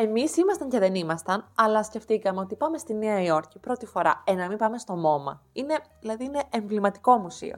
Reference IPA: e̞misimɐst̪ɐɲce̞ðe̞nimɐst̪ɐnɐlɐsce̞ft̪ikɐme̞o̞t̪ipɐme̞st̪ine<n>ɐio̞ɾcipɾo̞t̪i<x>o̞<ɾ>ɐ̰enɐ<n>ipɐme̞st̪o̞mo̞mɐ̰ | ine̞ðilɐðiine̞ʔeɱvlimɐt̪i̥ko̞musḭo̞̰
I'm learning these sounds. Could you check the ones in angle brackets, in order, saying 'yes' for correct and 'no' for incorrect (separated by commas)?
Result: no, no, yes, no